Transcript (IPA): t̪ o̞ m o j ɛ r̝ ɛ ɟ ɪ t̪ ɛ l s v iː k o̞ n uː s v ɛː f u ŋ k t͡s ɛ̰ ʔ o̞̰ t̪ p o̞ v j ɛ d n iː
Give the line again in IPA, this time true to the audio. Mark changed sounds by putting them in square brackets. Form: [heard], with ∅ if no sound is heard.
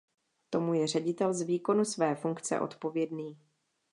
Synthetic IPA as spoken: t̪ o̞ m [u] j ɛ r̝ ɛ ɟ ɪ t̪ ɛ l [z] v iː k o̞ n [u] s v ɛː f u ŋ k t͡s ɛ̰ ʔ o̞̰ t̪ p o̞ v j ɛ d n iː